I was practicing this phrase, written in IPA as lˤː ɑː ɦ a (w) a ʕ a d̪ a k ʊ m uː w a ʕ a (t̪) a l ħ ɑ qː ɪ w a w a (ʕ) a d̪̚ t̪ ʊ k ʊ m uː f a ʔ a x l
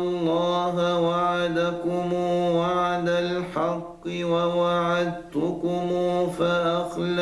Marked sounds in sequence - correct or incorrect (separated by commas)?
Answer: correct, incorrect, correct